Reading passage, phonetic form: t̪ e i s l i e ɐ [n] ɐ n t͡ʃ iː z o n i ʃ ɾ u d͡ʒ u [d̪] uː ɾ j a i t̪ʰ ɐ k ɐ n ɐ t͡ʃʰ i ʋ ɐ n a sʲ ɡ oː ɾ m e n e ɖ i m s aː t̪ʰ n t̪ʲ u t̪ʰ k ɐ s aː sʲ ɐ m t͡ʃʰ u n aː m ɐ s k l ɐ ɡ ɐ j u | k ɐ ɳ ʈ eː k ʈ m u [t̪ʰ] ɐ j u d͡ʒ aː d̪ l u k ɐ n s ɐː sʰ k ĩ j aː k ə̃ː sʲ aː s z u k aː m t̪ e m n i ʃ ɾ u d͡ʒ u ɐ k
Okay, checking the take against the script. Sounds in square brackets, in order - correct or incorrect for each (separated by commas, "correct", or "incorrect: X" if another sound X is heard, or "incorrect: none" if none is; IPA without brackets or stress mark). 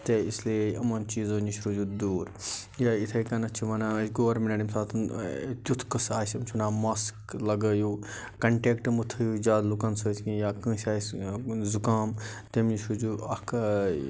incorrect: m, correct, correct